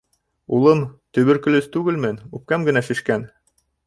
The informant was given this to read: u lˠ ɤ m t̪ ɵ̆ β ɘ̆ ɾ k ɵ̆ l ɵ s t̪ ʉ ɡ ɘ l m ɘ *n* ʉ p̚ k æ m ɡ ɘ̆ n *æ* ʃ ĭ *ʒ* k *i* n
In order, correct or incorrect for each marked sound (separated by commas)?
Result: correct, correct, incorrect, incorrect